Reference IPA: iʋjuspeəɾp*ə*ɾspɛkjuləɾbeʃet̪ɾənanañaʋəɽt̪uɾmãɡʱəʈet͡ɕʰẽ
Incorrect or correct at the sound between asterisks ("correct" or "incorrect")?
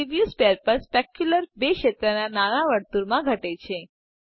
correct